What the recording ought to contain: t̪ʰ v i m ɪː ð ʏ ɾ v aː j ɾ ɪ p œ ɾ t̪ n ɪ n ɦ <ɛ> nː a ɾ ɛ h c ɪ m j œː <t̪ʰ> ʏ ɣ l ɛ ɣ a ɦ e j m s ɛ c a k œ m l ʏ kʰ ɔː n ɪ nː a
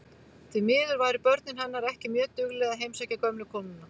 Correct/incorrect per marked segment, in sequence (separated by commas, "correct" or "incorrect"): incorrect, incorrect